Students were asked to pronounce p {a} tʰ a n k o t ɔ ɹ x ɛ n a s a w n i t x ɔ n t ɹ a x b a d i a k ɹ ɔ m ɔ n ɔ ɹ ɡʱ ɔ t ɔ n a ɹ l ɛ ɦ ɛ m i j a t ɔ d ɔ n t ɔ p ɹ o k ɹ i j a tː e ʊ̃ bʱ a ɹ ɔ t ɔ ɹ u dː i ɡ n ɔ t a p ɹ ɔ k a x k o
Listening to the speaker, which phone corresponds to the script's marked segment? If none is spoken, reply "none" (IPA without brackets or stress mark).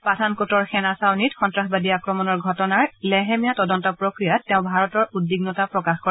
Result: a